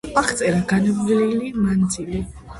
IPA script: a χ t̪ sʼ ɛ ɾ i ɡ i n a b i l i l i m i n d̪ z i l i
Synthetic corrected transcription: a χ t̪ sʼ ɛ ɾ a ɡ a n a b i l i l i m a n d̪ z i l i